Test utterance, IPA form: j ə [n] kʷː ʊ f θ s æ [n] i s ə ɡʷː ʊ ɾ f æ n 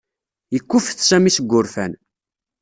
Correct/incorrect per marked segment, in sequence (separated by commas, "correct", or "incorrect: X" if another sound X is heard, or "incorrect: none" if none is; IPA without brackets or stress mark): incorrect: none, incorrect: m